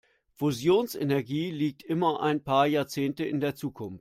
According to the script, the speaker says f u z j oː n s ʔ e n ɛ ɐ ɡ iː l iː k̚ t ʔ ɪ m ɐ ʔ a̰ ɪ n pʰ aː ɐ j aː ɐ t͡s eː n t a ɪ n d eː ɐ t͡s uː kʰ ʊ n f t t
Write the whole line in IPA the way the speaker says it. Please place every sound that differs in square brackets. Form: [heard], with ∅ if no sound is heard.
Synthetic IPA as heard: f u z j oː n s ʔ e n ɛ ɐ ɡ iː l iː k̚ t ʔ ɪ m ɐ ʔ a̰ ɪ n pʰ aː ɐ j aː ɐ t͡s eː n t [ə] ɪ n d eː ɐ t͡s uː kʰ ʊ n f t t